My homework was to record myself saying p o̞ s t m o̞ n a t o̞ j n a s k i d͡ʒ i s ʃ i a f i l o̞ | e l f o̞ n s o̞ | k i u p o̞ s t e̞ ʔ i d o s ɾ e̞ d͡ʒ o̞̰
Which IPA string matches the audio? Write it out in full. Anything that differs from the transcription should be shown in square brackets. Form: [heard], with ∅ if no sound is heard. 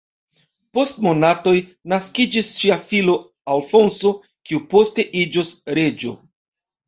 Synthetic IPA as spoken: p o̞ s t m o̞ n a t o̞ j n a s k i d͡ʒ i s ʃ i a f i l o̞ | [a] l f o̞ n s o̞ | k i u p o̞ s t e̞ ʔ i [d͡ʒ] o s ɾ e̞ d͡ʒ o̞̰